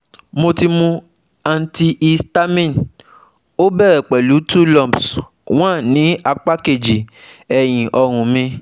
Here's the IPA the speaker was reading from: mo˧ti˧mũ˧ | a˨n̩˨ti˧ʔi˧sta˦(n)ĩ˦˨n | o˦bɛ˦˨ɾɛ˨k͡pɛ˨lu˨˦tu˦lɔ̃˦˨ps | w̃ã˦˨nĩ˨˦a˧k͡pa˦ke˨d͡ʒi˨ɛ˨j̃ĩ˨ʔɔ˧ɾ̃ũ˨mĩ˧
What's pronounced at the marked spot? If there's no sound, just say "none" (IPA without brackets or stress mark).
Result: m